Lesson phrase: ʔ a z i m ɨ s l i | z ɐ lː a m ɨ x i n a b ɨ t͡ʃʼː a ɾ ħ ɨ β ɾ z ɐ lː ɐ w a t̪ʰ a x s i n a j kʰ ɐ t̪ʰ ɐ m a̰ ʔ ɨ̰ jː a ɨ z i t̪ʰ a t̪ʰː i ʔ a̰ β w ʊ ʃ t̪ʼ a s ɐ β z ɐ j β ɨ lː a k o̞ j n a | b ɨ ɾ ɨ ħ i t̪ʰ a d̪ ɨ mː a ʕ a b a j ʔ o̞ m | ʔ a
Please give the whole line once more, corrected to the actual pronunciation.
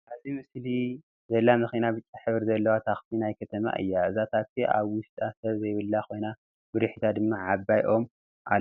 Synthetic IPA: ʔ a z i m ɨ s l i | z ɐ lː a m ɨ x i n a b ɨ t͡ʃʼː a ħ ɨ β ɾ z ɐ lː ɐ w a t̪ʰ a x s i n a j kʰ ɐ t̪ʰ ɐ m a̰ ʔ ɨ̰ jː a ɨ z a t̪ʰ a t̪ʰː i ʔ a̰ β w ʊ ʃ t̪ʼ a s ɐ β z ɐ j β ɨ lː a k o̞ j n a | b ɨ ɾ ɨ ħ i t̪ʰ a d̪ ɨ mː a ʕ a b a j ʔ o̞ m | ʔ a